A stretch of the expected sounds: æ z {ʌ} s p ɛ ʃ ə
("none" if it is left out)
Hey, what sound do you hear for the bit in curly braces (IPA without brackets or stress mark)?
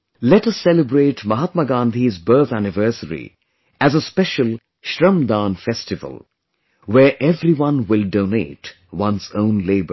ə